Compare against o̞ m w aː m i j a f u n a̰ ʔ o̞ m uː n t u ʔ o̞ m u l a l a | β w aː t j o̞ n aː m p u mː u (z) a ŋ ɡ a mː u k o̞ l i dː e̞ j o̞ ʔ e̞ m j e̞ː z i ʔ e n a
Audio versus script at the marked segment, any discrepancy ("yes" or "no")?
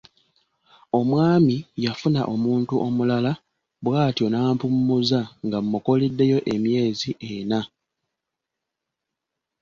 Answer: no